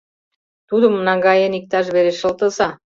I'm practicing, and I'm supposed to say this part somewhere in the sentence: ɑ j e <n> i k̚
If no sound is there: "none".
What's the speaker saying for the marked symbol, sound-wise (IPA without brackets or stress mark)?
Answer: n